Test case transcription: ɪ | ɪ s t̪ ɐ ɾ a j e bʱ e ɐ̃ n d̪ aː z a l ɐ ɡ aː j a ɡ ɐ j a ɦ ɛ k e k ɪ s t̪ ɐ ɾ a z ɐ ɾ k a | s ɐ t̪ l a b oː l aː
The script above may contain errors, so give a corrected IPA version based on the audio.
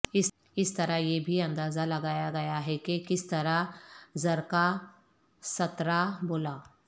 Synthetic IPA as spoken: ɪ | ɪ s t̪ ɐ ɾ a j e bʱ i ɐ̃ n d̪ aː z a l ɐ ɡ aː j a ɡ ɐ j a ɦ ɛ k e k ɪ s t̪ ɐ ɾ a z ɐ ɾ k a | s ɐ t̪ ɾ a b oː l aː

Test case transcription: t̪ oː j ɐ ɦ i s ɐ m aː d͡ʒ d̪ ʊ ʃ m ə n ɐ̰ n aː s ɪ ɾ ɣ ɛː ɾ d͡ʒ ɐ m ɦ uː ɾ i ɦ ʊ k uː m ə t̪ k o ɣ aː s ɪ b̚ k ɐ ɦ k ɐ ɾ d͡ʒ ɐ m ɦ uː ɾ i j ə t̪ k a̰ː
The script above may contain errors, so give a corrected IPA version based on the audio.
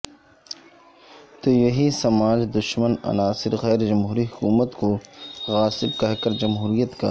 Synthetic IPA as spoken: t̪ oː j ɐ ɦ i s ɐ m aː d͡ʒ d̪ ʊ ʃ m ə n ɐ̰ n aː s ɪ ɾ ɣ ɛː ɾ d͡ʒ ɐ m ɦ uː ɾ i ɦ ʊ k uː m ə t̪ k o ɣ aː s ɪ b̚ k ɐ ɦ k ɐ ɾ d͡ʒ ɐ m ɦ uː ɾ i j ə t̪ k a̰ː

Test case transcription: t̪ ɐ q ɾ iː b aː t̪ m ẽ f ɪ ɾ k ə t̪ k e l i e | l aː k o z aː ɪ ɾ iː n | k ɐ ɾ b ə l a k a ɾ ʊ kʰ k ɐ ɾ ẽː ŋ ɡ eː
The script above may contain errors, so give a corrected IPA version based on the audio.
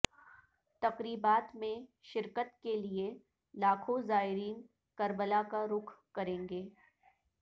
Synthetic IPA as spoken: t̪ ɐ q ɾ iː b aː t̪ m ẽ ʃ ɪ ɾ k ə t̪ k e l i e | l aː kʰ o z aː ɪ ɾ iː n | k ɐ ɾ b ə l a k a ɾ ʊ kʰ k ɐ ɾ ẽː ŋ ɡ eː

